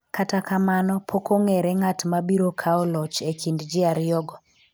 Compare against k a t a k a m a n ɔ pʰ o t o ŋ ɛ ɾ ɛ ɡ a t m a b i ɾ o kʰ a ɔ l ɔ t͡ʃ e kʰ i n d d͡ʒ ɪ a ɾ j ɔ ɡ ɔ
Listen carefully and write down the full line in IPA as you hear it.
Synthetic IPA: k a t a k a m a n ɔ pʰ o k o ŋ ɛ ɾ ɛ ŋ a t m a b i ɾ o kʰ a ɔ l ɔ t͡ʃ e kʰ i n d d͡ʒ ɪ a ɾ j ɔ ɡ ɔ